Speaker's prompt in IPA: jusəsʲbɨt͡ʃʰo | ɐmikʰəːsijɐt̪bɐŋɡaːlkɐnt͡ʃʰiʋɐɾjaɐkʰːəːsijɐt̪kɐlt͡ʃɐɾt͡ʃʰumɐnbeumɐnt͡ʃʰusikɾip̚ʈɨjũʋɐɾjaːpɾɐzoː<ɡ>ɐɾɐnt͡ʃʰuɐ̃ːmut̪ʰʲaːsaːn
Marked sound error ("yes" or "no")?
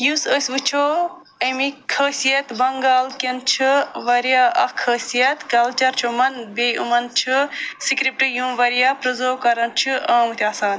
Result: yes